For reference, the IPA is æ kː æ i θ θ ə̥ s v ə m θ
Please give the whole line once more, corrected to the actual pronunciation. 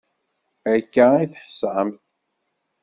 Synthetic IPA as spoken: æ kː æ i θ ħ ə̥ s ʕ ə m θ

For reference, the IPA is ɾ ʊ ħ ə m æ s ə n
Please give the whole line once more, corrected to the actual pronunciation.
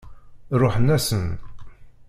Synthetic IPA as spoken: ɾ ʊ ħ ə n æ s ə n

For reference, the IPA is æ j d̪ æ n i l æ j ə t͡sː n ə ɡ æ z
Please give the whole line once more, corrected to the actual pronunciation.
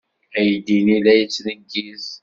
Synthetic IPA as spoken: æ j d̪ i n i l æ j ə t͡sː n ə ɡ i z

